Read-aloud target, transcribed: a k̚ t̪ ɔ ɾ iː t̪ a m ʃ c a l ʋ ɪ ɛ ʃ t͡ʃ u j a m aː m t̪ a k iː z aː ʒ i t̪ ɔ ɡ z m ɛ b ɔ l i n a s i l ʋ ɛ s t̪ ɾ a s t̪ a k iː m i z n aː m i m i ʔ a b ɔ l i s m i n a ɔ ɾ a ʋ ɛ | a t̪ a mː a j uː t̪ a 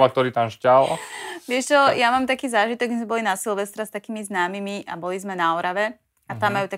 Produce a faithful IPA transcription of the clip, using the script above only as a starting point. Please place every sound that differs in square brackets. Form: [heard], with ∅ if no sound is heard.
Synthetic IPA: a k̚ t̪ ɔ ɾ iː t̪ a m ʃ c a l ʋ ɪ ɛ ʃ t͡ʃ [ɔ] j a m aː m t̪ a k iː z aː ʒ i t̪ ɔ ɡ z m ɛ b ɔ l i n a s i l ʋ ɛ s t̪ ɾ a s t̪ a k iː m i z n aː m i m i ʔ a b ɔ l i [z] m [ɛ] n a ɔ ɾ a ʋ ɛ | a t̪ a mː a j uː t̪ a